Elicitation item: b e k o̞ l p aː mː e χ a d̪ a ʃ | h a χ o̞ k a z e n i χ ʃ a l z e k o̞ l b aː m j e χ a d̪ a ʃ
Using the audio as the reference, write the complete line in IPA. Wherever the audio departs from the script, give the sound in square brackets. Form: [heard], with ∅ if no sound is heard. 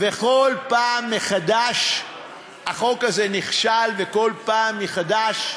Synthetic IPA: [v] e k o̞ l p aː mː e χ a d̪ a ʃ | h a χ o̞ k a z e n i χ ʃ a l [v] e k o̞ l [p] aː m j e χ a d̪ a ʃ

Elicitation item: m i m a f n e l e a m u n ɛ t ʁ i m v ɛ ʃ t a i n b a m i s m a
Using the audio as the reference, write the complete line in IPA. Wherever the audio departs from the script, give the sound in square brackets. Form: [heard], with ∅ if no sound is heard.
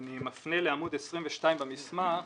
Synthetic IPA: [n] i m a f n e l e a m u [d] ɛ [s] ʁ i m v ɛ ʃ t a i [m] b a m i s m a

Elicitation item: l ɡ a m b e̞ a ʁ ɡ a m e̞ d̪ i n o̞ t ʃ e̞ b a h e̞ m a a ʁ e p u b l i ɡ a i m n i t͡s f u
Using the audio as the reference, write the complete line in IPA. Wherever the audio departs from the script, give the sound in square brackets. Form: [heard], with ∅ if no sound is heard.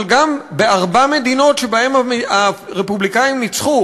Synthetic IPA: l ɡ a m b e̞ a ʁ [b] a m e̞ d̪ i n o̞ t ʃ e̞ b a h e̞ m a a ʁ e p u b l i [k] a i m n i t͡s [χ] u

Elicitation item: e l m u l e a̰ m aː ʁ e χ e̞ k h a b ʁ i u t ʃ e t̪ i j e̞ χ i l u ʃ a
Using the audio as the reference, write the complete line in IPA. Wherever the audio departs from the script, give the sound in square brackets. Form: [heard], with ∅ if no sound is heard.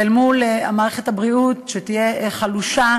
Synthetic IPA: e l m u l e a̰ m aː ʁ e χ e̞ [t] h a b ʁ i u t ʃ e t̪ i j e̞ χ [a] l u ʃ a

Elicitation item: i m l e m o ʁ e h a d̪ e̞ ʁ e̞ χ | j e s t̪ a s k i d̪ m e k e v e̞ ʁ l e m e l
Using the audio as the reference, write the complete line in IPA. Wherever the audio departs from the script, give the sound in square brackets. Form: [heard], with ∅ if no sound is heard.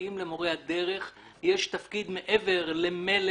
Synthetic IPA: i m l e m o ʁ e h a d̪ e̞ ʁ e̞ χ | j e [ʃ] t̪ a [f] k i d̪ m e [ʔ] e v e̞ ʁ l e m e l

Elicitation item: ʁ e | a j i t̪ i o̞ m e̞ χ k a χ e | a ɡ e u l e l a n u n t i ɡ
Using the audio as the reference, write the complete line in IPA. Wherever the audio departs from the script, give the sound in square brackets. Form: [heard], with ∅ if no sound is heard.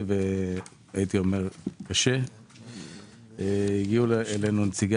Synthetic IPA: [v] e | a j i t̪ i o̞ m e̞ [ʁ] k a [ʃ] e | [i] ɡ [i] u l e l [e] n u n [t͡s] i ɡ

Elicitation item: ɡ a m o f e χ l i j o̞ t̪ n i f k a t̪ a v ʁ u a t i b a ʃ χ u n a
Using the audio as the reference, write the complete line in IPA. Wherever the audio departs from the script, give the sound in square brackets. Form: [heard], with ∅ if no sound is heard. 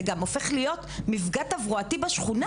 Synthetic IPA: ɡ a m o f e χ l i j o̞ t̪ [m] i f [ɡ] a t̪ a v ʁ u a t i b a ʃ χ u n a

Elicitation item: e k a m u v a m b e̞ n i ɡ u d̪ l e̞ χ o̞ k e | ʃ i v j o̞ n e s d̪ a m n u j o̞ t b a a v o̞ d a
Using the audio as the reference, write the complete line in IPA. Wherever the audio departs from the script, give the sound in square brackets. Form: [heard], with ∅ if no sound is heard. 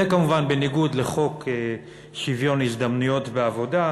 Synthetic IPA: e k a m u v a [n] b e̞ n i ɡ u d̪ l e̞ χ o̞ k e | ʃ i v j o̞ n [i] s d̪ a m n u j o̞ t b [e] a v o̞ d a

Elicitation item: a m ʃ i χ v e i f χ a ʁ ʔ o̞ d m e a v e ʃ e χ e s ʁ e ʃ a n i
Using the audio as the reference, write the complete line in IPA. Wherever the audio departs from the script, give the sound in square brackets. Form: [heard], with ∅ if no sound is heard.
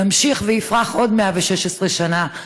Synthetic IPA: a m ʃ i χ v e i f [ʁ] a [χ] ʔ o̞ d m e a v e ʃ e [ʃ] e s ʁ e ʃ a n [a]

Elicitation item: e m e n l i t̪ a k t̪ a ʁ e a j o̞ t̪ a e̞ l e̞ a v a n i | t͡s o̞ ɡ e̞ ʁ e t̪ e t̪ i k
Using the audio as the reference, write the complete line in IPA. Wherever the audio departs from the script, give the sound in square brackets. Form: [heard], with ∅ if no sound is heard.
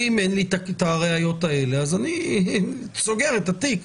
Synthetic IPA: [i] m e n l i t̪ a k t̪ a ʁ e a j o̞ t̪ a e̞ l e̞ a [z] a n i | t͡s o̞ ɡ e̞ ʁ e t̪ [a] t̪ i k

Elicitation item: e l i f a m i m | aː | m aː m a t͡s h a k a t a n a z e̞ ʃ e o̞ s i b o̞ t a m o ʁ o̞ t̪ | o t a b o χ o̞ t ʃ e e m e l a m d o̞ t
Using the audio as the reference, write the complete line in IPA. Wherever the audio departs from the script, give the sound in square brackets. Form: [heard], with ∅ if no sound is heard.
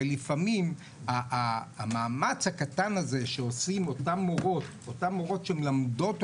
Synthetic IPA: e l i f a m i m | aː | m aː m a t͡s h a k a t a n a z e̞ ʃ e o̞ s i [m] o̞ t a m o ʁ o̞ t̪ | o t a [m] o [ʁ] o̞ t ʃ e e m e l a m d o̞ t

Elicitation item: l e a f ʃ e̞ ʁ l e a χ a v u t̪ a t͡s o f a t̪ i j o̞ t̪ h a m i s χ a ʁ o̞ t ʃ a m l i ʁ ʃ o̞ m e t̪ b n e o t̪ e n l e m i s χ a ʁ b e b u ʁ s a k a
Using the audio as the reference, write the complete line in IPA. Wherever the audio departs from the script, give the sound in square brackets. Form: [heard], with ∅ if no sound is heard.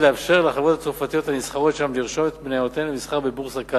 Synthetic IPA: l e a f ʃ e̞ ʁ l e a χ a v [o] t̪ a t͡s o f a t̪ i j o̞ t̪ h a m i s χ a ʁ o̞ t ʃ a m l i ʁ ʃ o̞ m e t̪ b n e o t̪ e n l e m i s χ a ʁ b e b u ʁ s a k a

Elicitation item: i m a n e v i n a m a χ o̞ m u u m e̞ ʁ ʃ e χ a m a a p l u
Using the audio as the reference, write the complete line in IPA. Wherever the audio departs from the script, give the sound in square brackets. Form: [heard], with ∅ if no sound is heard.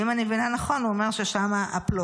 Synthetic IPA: i m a n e v i n a [n] a χ o̞ [n] u [o] m e̞ ʁ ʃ e [ʃ] a m a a p l [o]

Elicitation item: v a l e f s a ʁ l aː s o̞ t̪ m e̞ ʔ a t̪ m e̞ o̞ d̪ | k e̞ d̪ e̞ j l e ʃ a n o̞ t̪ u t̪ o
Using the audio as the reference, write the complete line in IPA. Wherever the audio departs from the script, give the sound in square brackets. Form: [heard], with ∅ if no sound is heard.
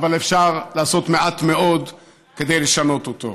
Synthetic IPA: v a l e f [ʃ] a ʁ l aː s o̞ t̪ m e̞ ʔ a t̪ m e̞ o̞ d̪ | k e̞ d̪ e̞ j l e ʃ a n o̞ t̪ [o] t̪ o

